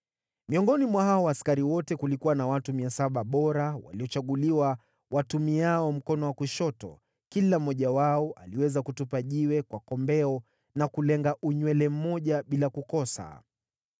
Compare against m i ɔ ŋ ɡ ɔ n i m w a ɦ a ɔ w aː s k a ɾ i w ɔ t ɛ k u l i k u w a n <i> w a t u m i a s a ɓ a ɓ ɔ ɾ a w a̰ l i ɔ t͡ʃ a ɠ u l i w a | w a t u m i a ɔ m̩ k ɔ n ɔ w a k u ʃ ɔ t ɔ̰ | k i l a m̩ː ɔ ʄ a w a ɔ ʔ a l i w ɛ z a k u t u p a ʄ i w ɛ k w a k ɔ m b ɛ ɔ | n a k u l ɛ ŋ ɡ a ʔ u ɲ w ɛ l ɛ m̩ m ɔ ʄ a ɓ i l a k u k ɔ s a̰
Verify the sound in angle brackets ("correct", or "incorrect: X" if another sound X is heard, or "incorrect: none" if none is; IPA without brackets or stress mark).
incorrect: a